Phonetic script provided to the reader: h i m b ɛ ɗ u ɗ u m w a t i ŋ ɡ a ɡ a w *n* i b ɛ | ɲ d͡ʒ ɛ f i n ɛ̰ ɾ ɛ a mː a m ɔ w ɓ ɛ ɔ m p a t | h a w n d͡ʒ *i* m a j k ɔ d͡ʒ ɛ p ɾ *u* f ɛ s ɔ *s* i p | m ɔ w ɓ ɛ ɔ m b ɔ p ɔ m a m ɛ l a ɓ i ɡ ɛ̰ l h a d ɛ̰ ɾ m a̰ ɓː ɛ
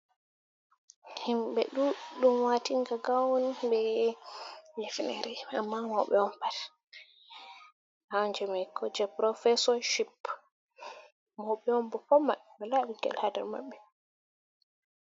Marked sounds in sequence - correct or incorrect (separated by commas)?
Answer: correct, incorrect, incorrect, incorrect